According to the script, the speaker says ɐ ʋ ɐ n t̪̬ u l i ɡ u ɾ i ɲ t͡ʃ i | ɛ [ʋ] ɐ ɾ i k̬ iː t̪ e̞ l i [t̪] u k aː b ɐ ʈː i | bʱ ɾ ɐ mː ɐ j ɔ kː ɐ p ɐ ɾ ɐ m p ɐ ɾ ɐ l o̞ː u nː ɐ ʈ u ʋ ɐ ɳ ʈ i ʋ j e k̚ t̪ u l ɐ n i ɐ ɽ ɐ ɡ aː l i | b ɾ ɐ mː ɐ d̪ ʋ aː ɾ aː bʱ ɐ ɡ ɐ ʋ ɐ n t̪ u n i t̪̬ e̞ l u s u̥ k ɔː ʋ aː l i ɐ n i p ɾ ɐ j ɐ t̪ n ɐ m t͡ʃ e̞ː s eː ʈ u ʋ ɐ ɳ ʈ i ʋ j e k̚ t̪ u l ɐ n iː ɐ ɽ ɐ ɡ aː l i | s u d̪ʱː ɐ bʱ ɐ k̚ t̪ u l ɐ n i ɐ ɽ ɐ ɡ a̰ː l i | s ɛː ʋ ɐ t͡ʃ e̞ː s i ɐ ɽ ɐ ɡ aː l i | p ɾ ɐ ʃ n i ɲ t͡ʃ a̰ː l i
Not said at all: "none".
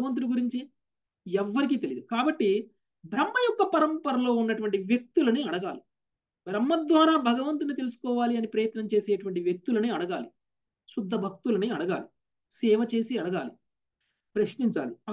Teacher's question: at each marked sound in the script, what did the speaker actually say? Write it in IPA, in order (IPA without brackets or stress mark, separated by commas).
ʋː, d̪